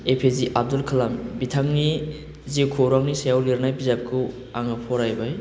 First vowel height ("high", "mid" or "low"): mid